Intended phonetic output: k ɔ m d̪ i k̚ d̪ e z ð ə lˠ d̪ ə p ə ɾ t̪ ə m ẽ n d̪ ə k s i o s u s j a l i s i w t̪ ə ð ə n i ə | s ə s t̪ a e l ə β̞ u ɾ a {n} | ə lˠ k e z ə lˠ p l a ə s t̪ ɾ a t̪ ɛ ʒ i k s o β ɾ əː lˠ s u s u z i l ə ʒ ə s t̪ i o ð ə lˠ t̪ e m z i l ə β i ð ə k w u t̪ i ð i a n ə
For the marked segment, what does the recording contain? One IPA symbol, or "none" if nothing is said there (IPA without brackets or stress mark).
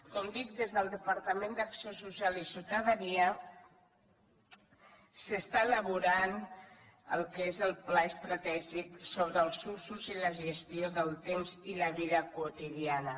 n